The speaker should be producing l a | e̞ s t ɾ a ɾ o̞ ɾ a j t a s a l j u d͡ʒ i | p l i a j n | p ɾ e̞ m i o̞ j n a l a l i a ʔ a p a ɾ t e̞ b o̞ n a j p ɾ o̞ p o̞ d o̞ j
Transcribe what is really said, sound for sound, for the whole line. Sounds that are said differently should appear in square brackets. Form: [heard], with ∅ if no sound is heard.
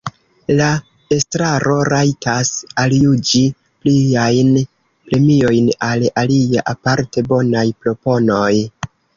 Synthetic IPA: l a | e̞ s t ɾ a ɾ o̞ ɾ a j t a s a l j u d͡ʒ i | p l i a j n | p ɾ e̞ m i o̞ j n a l a l i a ʔ a p a ɾ t e̞ b o̞ n a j p ɾ o̞ p o̞ [n] o̞ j